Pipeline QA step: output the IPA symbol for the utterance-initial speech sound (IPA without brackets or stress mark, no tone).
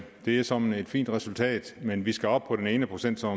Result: d̥